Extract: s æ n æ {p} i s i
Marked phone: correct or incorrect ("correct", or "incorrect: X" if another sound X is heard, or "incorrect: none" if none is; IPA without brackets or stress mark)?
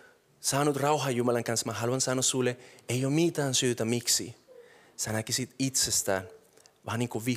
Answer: incorrect: k